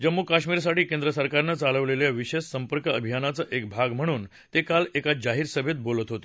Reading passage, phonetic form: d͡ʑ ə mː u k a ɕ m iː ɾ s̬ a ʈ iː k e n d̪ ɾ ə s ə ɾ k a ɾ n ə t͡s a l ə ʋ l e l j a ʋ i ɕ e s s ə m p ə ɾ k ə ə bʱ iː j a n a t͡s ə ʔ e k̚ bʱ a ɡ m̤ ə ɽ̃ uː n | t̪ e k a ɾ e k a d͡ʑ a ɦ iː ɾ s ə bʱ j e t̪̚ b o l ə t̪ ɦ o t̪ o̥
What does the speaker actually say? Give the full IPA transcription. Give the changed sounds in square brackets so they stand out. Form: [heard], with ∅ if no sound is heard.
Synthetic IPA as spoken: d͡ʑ ə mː u k a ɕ m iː ɾ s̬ a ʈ iː k e n d̪ ɾ ə s ə ɾ k a ɾ n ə t͡s a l ə ʋ l e l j a ʋ i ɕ e s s ə m p ə ɾ k ə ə bʱ [i] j a n a t͡s ə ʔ e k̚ bʱ a ɡ m̤ ə ɽ̃ uː n | t̪ e k a [l] e k a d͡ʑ a ɦ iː ɾ s ə bʱ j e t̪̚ b o l ə t̪ ɦ o t̪ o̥